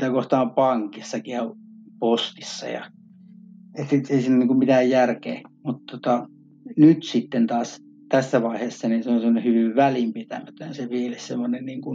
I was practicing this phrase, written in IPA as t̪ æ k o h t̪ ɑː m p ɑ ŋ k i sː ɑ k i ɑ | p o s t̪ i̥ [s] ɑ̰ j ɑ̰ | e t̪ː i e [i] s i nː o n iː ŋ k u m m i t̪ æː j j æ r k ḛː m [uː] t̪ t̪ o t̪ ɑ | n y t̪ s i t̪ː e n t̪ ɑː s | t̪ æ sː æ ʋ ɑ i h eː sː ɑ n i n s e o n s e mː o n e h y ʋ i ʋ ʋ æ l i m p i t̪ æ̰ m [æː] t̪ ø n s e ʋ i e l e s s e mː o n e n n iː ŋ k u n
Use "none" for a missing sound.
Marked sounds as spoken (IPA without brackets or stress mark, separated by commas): sː, i, u, æ